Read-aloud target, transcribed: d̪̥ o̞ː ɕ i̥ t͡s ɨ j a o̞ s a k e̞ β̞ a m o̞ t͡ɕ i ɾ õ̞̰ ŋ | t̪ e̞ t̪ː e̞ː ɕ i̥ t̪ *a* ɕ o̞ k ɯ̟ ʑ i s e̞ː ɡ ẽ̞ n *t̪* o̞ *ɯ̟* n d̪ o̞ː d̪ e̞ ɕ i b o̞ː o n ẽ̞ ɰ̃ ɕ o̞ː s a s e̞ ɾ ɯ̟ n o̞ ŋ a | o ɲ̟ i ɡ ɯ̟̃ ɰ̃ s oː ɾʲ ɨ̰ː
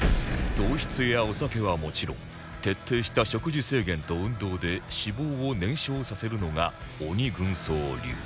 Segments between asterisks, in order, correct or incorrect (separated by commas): correct, correct, incorrect